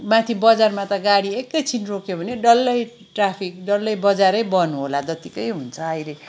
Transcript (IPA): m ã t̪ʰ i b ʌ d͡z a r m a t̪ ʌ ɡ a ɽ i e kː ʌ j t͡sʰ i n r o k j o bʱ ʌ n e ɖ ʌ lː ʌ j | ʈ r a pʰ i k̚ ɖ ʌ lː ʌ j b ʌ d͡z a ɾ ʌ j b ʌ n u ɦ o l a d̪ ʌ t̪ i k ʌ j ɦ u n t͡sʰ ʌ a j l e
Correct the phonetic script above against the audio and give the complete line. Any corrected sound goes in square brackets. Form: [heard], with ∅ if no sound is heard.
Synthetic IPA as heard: m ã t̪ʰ i b ʌ d͡z a r m a t̪ ʌ ɡ a ɽ i e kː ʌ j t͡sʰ i n r o k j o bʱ ʌ n e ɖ ʌ lː ʌ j | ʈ r a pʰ i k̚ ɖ ʌ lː ʌ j b ʌ d͡z a ɾ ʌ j b ʌ n u ɦ o l a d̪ ʌ t̪ i k ʌ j ɦ u n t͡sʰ ʌ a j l e